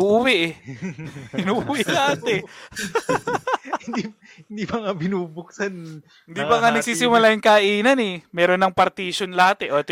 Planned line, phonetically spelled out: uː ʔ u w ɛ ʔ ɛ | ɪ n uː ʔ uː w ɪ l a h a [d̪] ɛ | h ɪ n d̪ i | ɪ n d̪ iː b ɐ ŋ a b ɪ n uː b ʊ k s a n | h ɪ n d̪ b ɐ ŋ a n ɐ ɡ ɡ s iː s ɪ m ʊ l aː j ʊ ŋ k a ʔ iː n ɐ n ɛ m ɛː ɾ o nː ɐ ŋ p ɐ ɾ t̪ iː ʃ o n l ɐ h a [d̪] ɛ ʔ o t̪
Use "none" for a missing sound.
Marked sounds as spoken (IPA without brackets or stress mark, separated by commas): t̪, t̪